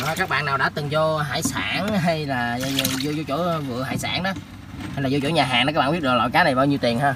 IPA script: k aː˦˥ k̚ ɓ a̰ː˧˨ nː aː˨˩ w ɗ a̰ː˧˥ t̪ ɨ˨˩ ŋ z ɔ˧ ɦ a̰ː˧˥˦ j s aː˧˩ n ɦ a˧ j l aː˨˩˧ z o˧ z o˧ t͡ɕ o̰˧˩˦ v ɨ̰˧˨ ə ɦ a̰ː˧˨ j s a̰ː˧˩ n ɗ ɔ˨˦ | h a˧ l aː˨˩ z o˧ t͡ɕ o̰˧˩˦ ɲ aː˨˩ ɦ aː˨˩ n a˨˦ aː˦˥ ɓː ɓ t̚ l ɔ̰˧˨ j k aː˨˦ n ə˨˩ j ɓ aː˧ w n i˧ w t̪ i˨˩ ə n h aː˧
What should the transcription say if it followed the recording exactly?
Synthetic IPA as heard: k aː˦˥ k̚ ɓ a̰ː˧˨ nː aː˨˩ w ɗ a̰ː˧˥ t̪ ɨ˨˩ ŋ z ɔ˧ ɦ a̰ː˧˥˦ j s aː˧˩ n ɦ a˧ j l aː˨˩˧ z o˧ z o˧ t͡ɕ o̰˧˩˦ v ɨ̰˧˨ ə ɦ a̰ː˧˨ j s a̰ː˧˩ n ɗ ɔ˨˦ | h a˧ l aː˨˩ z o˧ t͡ɕ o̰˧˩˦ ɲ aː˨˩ ɦ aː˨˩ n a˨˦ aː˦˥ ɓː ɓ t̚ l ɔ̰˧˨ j k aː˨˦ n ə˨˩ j ɓ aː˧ w ɲ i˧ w t̪ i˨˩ ə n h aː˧